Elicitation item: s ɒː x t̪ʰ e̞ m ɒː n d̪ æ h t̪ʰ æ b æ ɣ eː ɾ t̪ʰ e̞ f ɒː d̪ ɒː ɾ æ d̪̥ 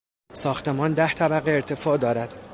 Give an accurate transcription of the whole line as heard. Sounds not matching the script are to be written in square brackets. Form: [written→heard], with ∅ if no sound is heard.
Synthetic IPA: s ɒː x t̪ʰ e̞ m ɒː n d̪ æ h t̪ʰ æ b æ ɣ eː ɾ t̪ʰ e̞ f ɒː d̪ ɒː ɾ æ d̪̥

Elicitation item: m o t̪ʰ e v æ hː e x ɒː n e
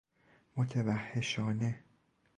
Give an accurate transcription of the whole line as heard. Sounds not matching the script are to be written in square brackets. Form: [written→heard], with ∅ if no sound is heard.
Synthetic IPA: m o t̪ʰ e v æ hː e [x→ʃ] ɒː n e

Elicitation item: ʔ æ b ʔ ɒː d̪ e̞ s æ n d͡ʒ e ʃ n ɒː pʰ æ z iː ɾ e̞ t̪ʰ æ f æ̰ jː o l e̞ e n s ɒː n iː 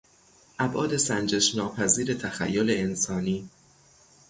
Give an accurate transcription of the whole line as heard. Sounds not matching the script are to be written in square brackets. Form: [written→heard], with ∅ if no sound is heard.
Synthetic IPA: ʔ æ b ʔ ɒː d̪ e̞ s æ n d͡ʒ e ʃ n ɒː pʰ æ z iː ɾ e̞ t̪ʰ æ [f→x] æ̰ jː o l e̞ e n s ɒː n iː

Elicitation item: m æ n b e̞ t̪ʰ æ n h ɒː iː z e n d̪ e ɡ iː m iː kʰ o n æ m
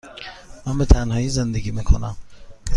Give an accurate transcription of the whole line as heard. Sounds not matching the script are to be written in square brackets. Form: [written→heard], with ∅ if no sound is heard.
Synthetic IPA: m æ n b e̞ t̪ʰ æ n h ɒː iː z e n d̪ e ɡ iː m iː kʰ o n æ m

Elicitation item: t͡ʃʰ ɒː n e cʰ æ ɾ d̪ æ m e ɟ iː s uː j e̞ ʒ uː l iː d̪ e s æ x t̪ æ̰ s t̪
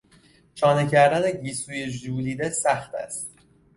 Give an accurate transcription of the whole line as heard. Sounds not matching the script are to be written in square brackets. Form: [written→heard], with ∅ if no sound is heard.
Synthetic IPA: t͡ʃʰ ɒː n e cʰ æ ɾ d̪ æ [m→n] e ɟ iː s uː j e̞ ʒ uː l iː d̪ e s æ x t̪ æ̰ s t̪

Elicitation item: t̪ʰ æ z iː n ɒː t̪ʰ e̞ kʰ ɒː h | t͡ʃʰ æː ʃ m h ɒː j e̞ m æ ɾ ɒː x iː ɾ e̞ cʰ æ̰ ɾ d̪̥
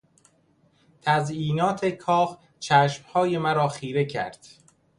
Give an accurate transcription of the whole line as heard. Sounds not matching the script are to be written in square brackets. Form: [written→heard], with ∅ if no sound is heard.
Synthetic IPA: t̪ʰ æ z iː n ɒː t̪ʰ e̞ kʰ ɒː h | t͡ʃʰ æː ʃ m h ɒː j e̞ m æ ɾ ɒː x iː ɾ e̞ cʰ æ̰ ɾ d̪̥

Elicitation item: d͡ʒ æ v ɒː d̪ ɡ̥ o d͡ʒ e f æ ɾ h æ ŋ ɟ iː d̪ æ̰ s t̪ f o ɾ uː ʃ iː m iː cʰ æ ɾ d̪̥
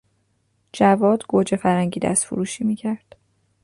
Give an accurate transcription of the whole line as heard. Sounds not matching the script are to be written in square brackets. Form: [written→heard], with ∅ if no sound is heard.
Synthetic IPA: d͡ʒ æ v ɒː d̪ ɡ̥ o d͡ʒ e f æ ɾ h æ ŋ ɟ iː d̪ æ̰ s t̪ f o ɾ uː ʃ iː m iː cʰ æ ɾ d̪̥

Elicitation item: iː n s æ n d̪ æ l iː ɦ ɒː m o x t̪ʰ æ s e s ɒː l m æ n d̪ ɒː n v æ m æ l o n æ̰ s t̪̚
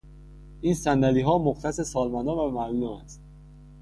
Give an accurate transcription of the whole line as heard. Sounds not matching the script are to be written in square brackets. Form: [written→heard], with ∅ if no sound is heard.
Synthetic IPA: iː n s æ n d̪ æ l iː ɦ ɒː m o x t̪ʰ æ s e s ɒː l m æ n d̪ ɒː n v æ m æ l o [n→m] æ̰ s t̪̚

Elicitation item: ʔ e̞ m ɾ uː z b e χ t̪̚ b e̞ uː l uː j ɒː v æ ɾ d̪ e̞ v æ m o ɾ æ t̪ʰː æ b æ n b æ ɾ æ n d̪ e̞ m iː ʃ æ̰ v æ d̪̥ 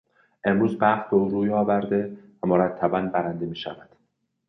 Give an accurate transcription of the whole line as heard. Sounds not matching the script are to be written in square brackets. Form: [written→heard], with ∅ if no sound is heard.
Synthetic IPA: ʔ e̞ m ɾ uː z b [e→æ] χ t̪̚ b e̞ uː [l→ɾ] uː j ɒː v æ ɾ d̪ e̞ v æ m o ɾ æ t̪ʰː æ b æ n b æ ɾ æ n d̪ e̞ m iː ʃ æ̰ v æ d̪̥

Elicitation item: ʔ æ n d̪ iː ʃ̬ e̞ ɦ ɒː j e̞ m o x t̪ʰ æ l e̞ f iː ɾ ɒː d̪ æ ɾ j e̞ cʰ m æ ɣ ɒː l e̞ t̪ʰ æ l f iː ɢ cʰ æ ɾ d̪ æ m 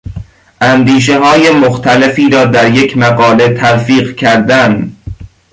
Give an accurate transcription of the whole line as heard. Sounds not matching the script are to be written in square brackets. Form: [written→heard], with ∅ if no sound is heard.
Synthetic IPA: ʔ æ n d̪ iː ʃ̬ e̞ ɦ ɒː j e̞ m o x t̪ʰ æ l e̞ f iː ɾ ɒː d̪ æ ɾ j e̞ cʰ m æ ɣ ɒː l e̞ t̪ʰ æ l f iː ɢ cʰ æ ɾ d̪ æ [m→n]

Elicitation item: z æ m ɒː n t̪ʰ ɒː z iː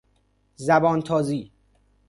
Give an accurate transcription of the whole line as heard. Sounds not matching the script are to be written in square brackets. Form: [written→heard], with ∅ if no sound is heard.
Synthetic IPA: z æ [m→b] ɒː n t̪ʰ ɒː z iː

